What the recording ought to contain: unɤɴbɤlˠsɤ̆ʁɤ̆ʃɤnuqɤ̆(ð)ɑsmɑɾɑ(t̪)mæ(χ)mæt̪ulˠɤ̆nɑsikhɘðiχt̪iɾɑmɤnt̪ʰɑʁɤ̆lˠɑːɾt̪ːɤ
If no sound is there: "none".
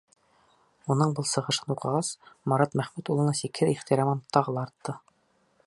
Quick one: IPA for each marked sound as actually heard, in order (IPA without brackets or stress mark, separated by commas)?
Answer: ʁ, t̪, χ